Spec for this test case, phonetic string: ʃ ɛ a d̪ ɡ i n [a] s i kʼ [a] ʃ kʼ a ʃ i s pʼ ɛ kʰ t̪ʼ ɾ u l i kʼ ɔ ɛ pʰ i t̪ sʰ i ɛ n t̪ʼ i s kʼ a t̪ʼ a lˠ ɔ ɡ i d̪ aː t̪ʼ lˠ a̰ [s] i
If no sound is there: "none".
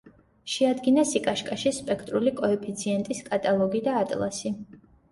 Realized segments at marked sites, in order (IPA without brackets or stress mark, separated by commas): a, a, s